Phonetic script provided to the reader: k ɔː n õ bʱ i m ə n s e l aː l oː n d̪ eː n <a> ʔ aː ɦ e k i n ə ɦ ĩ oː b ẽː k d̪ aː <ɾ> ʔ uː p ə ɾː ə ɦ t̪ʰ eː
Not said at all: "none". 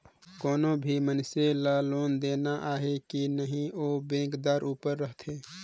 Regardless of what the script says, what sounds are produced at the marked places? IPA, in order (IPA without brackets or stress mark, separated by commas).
a, ɾ